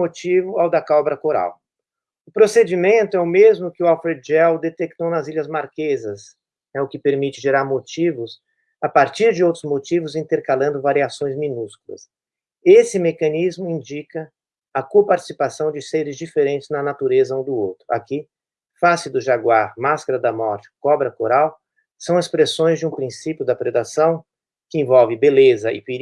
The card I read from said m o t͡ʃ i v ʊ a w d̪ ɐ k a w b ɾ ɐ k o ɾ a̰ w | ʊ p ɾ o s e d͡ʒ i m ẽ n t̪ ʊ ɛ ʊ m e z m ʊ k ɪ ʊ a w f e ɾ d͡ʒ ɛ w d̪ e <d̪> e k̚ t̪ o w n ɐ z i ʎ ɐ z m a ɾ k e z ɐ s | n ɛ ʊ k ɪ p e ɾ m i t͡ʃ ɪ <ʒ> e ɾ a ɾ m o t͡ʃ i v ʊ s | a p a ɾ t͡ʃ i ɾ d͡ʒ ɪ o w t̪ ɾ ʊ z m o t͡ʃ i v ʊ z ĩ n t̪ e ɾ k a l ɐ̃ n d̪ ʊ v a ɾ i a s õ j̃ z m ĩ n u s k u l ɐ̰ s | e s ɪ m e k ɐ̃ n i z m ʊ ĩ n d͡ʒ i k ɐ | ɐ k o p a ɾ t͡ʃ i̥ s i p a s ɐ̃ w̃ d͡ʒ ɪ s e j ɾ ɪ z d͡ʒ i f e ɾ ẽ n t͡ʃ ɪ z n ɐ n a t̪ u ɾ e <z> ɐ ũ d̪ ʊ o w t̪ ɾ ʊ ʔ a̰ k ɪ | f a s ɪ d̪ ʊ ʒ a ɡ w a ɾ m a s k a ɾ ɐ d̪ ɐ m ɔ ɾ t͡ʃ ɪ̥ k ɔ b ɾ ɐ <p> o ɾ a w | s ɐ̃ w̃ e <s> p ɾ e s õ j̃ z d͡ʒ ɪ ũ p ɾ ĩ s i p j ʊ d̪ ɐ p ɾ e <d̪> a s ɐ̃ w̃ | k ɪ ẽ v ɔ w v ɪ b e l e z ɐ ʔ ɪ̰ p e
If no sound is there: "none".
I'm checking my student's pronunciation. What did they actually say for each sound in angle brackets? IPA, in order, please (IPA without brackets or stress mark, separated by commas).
t̪, ʒ, z, k, s, d̪